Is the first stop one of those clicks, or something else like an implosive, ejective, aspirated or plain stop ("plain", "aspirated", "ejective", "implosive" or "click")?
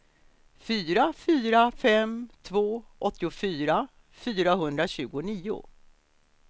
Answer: aspirated